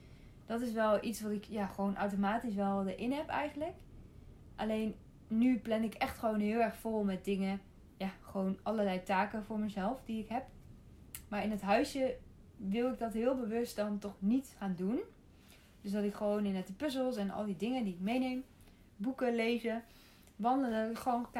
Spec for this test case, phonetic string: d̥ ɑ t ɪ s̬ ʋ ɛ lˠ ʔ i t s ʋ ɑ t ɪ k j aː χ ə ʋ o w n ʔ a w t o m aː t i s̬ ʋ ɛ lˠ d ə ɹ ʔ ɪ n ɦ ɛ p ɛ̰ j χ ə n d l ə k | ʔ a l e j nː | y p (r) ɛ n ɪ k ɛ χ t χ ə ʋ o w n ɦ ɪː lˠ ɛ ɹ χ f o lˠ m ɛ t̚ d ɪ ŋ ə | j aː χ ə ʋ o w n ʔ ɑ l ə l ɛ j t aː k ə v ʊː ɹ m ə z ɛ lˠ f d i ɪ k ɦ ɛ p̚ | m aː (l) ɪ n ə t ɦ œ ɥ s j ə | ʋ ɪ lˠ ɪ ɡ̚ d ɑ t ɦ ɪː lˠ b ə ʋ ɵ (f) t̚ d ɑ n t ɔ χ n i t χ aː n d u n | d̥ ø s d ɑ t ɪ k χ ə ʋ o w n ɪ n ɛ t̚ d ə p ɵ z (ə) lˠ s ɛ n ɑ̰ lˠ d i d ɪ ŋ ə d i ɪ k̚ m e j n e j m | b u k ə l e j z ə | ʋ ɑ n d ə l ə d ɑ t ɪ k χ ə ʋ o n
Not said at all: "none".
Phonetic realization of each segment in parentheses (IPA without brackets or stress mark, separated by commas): l, ɹ, s, ə